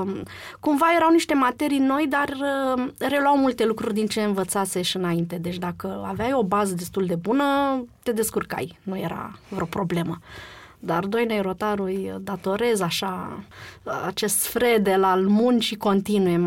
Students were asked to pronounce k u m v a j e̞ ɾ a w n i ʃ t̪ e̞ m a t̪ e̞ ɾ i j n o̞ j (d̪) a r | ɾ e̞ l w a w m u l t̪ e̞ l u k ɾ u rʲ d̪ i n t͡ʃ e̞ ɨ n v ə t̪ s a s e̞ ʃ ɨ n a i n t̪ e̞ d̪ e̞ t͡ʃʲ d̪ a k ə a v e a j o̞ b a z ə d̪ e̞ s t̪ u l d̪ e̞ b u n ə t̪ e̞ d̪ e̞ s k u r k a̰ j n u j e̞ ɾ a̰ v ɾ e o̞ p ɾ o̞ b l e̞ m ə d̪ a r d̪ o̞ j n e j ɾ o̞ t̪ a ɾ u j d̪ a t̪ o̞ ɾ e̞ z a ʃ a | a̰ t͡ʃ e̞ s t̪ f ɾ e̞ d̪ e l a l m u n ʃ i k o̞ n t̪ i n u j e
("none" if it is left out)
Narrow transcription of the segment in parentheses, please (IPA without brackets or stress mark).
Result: d̪